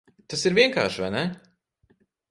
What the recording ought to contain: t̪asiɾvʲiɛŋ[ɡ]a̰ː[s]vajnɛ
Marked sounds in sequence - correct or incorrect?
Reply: incorrect: k, incorrect: ʃ

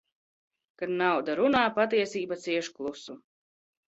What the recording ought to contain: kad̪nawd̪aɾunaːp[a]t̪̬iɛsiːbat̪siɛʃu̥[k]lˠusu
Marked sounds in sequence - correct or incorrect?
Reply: correct, correct

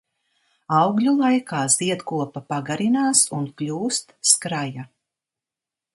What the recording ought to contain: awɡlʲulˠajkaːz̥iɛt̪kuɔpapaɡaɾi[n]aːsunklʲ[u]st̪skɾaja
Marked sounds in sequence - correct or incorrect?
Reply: correct, incorrect: uː

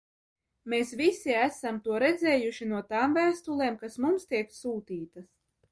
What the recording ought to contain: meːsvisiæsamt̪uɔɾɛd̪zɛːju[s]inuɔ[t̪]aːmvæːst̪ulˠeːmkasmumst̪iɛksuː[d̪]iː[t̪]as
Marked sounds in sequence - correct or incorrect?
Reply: incorrect: ʃ, correct, incorrect: t̪, correct

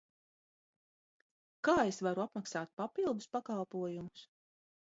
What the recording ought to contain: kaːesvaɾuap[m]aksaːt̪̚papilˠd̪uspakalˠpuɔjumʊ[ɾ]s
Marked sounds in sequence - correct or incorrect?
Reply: correct, incorrect: none

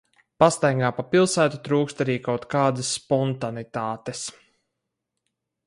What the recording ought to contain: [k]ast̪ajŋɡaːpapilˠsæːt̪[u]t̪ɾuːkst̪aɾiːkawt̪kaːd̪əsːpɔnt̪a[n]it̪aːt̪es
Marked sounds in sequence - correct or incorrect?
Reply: incorrect: p, correct, correct

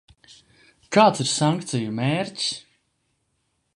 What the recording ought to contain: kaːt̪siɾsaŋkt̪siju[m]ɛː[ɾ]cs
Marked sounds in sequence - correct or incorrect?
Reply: correct, correct

